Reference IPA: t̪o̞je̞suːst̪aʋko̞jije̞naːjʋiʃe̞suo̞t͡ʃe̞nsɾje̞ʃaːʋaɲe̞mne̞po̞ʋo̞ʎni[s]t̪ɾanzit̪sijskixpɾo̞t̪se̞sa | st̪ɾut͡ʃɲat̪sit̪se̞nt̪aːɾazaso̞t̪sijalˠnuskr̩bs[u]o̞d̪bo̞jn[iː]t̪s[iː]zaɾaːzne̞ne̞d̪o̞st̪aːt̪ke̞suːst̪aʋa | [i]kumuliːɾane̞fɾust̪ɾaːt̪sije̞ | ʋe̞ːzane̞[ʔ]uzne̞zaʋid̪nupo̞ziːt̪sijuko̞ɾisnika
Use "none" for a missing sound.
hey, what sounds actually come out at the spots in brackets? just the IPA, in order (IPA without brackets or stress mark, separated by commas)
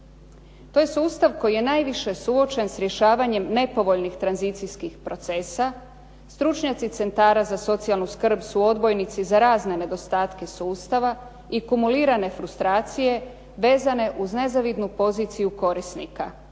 x, u, i, i, i, ʔ